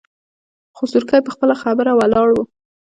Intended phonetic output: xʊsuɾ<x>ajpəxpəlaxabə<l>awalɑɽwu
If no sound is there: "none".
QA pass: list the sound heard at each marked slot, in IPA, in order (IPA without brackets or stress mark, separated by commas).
k, ɾ